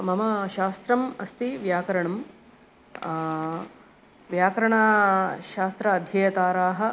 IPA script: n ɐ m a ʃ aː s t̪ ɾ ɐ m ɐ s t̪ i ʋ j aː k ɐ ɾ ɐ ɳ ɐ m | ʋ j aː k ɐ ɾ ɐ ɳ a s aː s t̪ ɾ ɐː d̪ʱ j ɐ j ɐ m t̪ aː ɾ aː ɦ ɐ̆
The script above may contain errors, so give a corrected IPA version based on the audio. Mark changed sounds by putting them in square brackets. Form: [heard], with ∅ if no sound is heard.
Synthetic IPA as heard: [m] ɐ m [ɐ] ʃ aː s t̪ ɾ ɐ m ɐ s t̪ i ʋ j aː k ɐ ɾ ɐ ɳ ɐ m | ʋ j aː k ɐ ɾ ɐ ɳ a [ʃ] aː s t̪ ɾ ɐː d̪ʱ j ɐ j ɐ [∅] t̪ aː ɾ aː ɦ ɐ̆

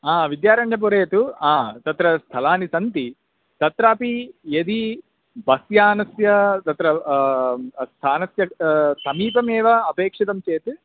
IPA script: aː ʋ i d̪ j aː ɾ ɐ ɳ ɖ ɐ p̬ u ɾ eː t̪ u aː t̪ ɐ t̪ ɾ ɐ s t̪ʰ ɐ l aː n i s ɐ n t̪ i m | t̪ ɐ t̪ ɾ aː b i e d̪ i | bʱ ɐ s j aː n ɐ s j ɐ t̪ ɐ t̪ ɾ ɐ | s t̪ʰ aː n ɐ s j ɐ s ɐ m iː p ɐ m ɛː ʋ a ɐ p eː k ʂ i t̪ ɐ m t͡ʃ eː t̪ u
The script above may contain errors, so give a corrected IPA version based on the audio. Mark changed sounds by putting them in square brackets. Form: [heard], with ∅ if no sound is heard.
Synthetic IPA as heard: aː ʋ i d̪ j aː ɾ ɐ ɳ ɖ ɐ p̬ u ɾ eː t̪ u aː t̪ ɐ t̪ ɾ ɐ s t̪ʰ ɐ l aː n i s ɐ n t̪ i [∅] | t̪ ɐ t̪ ɾ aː [p] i e d̪ i | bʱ ɐ s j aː n ɐ s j ɐ t̪ ɐ t̪ ɾ ɐ | s t̪ʰ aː n ɐ s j ɐ s ɐ m iː p ɐ m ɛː ʋ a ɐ p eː k ʂ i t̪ ɐ m t͡ʃ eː t̪ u

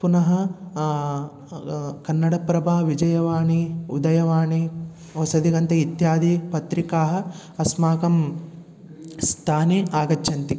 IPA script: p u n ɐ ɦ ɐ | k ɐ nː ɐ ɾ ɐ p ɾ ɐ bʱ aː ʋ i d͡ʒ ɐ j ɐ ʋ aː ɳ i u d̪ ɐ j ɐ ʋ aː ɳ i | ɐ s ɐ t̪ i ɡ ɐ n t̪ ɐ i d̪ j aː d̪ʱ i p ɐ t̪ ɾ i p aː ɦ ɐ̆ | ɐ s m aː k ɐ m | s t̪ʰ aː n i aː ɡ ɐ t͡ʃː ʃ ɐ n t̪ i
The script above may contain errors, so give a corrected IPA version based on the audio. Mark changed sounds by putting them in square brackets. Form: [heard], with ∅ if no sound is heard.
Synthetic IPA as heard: p u n ɐ ɦ ɐ | k ɐ nː ɐ [ɽ] ɐ p ɾ ɐ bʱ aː ʋ i d͡ʒ ɐ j ɐ ʋ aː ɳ i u d̪ ɐ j ɐ ʋ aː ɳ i | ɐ s ɐ [d̪] i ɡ ɐ n t̪ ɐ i [t̪] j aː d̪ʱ i p ɐ t̪ ɾ i [k] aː ɦ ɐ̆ | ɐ s m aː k ɐ m | s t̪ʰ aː n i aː ɡ ɐ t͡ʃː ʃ ɐ n t̪ i

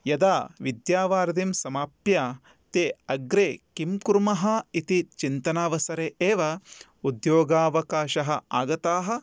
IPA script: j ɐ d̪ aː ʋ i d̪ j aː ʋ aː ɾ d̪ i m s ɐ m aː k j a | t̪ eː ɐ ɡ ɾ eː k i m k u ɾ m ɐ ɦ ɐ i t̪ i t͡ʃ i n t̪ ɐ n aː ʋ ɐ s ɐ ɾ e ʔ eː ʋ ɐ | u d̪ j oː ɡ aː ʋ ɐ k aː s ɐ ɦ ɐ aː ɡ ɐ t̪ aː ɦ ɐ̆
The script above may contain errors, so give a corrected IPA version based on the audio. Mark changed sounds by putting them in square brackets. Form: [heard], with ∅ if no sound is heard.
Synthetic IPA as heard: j ɐ d̪ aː ʋ i d̪ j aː ʋ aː ɾ d̪ i m s ɐ m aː [p] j a | t̪ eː ɐ ɡ ɾ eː k i m k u ɾ m ɐ ɦ ɐ i t̪ i t͡ʃ i n t̪ ɐ n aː ʋ ɐ s ɐ ɾ e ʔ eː ʋ ɐ | u d̪ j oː ɡ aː ʋ ɐ k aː [ʃ] ɐ ɦ ɐ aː ɡ ɐ t̪ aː ɦ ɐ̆

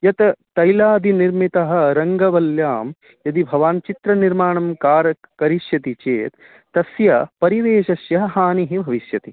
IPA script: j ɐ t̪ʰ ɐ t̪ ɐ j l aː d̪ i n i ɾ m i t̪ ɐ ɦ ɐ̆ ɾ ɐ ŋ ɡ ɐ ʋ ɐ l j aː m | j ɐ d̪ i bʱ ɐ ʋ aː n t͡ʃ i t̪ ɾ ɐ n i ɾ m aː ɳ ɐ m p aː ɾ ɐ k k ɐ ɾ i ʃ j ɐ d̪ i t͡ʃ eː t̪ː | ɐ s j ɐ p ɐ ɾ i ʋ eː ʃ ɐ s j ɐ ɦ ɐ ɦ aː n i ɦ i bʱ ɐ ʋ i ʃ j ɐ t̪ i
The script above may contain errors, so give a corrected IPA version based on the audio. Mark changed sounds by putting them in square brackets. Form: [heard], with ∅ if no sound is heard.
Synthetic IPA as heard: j ɐ [t̪] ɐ t̪ ɐ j l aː d̪ i n i ɾ m i t̪ ɐ ɦ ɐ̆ ɾ ɐ ŋ ɡ ɐ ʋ ɐ l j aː m | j ɐ d̪ i bʱ ɐ ʋ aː n t͡ʃ i t̪ ɾ ɐ n i ɾ m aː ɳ ɐ m [k] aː ɾ ɐ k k ɐ ɾ i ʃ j ɐ [t̪] i t͡ʃ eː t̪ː | ɐ s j ɐ p ɐ ɾ i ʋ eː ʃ ɐ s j ɐ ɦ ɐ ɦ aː n i ɦ i bʱ ɐ ʋ i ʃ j ɐ t̪ i

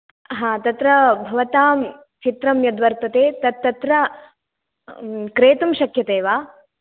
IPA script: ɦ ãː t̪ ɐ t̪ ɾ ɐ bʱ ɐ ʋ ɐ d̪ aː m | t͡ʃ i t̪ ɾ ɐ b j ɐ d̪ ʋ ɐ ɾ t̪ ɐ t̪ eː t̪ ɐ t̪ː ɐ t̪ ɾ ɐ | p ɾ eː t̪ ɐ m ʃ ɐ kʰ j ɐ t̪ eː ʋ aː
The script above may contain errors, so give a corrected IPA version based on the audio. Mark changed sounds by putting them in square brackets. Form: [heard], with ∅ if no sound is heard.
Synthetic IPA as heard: ɦ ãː t̪ ɐ t̪ ɾ ɐ bʱ ɐ ʋ ɐ [t̪] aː m | t͡ʃ i t̪ ɾ ɐ [m] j ɐ d̪ ʋ ɐ ɾ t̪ ɐ t̪ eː t̪ ɐ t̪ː ɐ t̪ ɾ ɐ | [k] ɾ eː t̪ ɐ m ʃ ɐ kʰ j ɐ t̪ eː ʋ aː

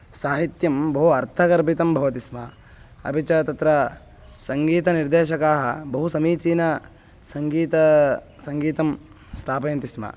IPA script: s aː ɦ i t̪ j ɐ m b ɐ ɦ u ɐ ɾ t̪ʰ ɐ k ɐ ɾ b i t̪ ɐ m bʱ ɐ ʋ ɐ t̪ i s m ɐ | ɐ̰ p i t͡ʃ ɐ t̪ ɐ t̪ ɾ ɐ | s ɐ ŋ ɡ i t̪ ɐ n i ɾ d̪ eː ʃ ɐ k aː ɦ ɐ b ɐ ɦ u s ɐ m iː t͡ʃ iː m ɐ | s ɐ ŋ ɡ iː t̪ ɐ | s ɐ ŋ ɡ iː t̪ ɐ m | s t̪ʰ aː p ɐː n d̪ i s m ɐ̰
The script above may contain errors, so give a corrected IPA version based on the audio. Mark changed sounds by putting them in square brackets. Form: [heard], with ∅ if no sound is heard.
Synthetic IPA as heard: s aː ɦ i t̪ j ɐ m b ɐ ɦ u ɐ ɾ t̪ʰ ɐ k ɐ ɾ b i t̪ ɐ m bʱ ɐ ʋ ɐ t̪ i s m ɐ | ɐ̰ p i t͡ʃ ɐ t̪ ɐ t̪ ɾ ɐ | s ɐ ŋ ɡ [iː] t̪ ɐ n i ɾ d̪ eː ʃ ɐ k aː ɦ ɐ b ɐ ɦ u s ɐ m iː t͡ʃ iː [n] ɐ | s ɐ ŋ ɡ iː t̪ ɐ | s ɐ ŋ ɡ iː t̪ ɐ m | s t̪ʰ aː p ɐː n [t̪] i s m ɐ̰

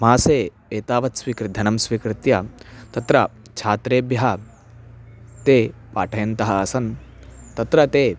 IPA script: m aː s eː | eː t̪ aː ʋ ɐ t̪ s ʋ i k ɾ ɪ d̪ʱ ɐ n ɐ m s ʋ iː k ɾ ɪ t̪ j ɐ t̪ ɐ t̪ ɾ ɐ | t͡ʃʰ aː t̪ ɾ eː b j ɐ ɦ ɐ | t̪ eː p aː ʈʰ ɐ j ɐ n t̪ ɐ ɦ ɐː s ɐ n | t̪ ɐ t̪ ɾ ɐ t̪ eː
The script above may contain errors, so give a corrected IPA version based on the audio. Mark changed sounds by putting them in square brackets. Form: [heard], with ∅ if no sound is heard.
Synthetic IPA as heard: m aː s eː | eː t̪ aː ʋ ɐ t̪ s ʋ i k ɾ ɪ d̪ʱ ɐ n ɐ m s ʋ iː k ɾ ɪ t̪ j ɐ t̪ ɐ t̪ ɾ ɐ | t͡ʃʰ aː t̪ ɾ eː b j ɐ ɦ ɐ | t̪ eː p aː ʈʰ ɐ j ɐ n t̪ ɐ ɦ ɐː s ɐ n | t̪ ɐ t̪ ɾ ɐ t̪ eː

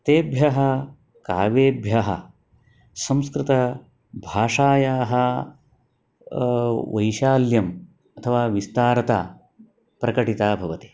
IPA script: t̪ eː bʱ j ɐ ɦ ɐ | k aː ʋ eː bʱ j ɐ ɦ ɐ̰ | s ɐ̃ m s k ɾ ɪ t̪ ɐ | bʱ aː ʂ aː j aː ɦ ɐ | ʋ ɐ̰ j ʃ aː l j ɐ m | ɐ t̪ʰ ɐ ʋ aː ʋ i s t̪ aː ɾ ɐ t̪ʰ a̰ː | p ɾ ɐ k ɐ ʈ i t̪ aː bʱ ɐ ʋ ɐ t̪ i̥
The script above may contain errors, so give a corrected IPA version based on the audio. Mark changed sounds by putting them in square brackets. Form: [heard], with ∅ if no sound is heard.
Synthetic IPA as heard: t̪ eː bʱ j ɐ ɦ ɐ | k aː ʋ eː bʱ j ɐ ɦ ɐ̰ | s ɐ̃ m s k ɾ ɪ t̪ ɐ | bʱ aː ʂ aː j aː ɦ ɐ | ʋ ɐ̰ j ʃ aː l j ɐ m | ɐ t̪ʰ ɐ ʋ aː ʋ i s t̪ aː ɾ ɐ [t̪] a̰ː | p ɾ ɐ k ɐ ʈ i t̪ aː bʱ ɐ ʋ ɐ t̪ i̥

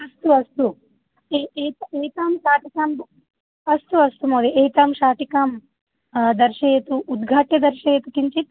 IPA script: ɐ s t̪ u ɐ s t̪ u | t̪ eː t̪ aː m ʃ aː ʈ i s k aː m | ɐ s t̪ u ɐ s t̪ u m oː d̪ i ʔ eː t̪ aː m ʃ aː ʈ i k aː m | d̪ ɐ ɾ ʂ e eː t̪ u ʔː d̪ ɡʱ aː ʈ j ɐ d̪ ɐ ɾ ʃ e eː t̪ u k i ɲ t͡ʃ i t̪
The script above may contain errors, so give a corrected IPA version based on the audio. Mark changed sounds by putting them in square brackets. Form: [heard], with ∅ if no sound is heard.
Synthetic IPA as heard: ɐ s t̪ u ɐ s t̪ u | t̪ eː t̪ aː m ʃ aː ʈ i [∅] k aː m | ɐ s t̪ u ɐ s t̪ u m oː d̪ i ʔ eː t̪ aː m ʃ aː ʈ i k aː m | d̪ ɐ ɾ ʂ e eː t̪ u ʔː d̪ ɡʱ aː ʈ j ɐ d̪ ɐ ɾ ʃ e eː t̪ u k i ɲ t͡ʃ i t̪

